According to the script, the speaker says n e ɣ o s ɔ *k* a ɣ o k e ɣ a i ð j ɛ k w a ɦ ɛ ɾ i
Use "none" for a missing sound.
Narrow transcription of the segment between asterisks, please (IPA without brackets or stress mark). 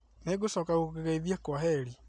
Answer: k